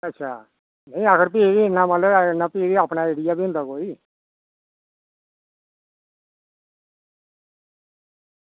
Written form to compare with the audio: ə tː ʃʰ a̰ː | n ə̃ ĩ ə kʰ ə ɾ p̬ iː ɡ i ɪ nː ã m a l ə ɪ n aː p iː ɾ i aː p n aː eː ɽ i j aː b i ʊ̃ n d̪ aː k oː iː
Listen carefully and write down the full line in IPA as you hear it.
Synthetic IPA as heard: ə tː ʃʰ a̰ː | n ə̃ ĩ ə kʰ ə ɾ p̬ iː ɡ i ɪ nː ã m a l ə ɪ n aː p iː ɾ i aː p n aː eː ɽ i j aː b i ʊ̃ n d̪ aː k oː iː